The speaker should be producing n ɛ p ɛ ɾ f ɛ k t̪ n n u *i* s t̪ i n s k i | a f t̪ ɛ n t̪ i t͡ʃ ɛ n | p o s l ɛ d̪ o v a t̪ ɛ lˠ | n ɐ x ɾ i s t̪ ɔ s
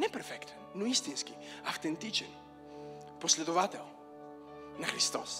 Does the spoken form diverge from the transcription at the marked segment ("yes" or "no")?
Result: no